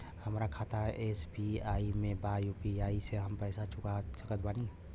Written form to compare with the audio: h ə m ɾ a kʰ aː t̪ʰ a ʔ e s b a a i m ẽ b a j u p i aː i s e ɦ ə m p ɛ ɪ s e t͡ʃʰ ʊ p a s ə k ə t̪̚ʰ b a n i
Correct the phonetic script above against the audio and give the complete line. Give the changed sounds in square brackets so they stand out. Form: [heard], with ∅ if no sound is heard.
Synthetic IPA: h ə m ɾ a kʰ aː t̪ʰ a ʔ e s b [i] a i m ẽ b a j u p i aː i s e ɦ ə m p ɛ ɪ s [a] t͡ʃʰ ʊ [k] a s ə k ə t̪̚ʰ b a n i